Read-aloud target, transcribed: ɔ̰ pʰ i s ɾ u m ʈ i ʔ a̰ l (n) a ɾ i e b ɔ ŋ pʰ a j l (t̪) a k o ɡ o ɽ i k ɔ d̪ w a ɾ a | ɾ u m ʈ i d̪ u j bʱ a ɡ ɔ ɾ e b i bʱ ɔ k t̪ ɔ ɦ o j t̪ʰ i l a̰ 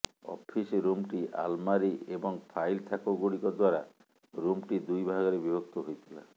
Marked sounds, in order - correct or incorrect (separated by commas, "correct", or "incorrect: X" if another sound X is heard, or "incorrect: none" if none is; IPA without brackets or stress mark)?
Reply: incorrect: m, incorrect: t̪ʰ